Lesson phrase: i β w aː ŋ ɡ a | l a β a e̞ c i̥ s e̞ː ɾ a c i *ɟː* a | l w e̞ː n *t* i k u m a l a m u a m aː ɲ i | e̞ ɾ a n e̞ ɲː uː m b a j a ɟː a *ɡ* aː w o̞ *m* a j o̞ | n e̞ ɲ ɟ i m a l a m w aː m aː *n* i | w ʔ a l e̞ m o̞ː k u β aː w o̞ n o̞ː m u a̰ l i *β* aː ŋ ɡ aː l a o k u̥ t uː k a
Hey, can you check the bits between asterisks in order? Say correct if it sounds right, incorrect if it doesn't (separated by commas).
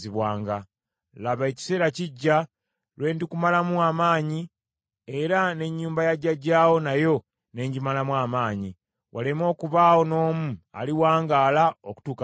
correct, incorrect, incorrect, incorrect, incorrect, incorrect